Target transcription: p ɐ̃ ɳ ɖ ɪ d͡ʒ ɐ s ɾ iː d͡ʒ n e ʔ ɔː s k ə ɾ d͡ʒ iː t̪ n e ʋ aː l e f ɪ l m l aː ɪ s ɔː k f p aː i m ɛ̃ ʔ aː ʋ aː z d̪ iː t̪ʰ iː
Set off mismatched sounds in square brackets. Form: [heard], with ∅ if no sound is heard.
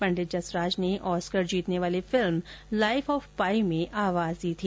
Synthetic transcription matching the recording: p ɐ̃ ɳ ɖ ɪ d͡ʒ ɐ s ɾ [aː] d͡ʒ n e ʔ ɔː s k ə ɾ d͡ʒ iː t̪ n e ʋ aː l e f ɪ l m l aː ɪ [f] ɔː [∅] f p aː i m [ẽ] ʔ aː ʋ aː z d̪ iː t̪ʰ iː

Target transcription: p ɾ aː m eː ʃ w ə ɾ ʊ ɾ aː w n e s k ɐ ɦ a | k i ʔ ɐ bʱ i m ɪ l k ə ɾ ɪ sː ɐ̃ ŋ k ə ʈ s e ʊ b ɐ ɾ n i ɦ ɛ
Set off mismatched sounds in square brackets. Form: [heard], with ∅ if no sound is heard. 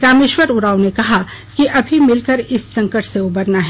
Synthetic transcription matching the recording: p ɾ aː m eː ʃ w ə ɾ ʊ ɾ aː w n e [∅] k ɐ ɦ a | k i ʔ ɐ bʱ i m ɪ l k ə ɾ ɪ sː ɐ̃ ŋ k ə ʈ s e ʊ b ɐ ɾ n [a] ɦ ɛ

